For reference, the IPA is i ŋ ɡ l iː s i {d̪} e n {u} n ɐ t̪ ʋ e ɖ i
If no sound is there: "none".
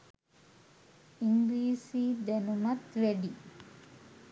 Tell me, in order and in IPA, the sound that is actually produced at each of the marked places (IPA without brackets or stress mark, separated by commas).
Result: d̪, u